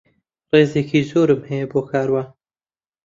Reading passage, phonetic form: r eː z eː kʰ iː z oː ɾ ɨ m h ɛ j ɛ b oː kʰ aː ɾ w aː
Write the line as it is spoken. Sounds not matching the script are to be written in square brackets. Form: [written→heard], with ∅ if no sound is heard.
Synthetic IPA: r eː z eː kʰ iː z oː ɾ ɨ m h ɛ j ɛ b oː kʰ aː ɾ w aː